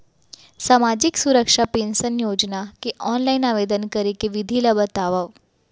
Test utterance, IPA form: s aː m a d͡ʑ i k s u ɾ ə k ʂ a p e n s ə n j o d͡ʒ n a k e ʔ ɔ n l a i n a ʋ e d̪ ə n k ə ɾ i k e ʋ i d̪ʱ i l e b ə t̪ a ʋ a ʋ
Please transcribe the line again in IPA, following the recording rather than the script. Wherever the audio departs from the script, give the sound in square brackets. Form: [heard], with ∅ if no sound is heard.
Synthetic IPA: s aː m a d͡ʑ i k s u ɾ ə k ʂ a p e n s ə n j o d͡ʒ n a k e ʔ ɔ n l a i n a ʋ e d̪ ə n k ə ɾ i k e ʋ i d̪ʱ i l [a] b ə t̪ a ʋ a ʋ